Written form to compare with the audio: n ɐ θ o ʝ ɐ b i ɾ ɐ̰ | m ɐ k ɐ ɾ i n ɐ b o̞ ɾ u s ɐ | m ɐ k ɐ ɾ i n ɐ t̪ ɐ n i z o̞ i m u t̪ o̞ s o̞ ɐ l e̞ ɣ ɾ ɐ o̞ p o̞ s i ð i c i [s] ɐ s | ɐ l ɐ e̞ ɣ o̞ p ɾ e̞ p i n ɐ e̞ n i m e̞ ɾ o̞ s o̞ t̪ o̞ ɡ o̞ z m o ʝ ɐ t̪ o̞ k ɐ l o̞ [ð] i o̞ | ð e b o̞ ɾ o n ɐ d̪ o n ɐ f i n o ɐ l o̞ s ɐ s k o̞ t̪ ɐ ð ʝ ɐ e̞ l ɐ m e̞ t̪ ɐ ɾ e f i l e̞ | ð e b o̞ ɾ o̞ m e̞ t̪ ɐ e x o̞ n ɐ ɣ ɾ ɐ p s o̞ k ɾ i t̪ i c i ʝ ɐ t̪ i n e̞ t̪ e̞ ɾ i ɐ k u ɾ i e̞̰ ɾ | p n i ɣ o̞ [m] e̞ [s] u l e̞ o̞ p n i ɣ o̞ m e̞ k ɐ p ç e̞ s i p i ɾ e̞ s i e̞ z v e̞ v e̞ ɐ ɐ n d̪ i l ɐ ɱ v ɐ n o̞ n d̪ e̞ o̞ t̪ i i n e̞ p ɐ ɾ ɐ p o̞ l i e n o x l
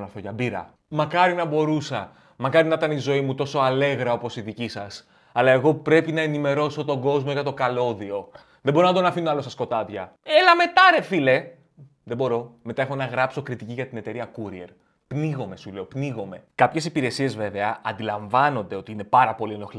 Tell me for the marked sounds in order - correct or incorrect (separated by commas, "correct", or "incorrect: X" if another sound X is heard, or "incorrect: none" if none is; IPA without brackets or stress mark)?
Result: correct, correct, correct, correct